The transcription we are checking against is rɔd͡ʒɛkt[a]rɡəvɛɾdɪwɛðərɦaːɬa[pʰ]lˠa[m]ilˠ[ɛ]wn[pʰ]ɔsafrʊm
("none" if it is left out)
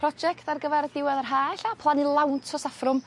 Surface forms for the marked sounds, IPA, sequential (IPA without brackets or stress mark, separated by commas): a, pʰ, n, a, tʰ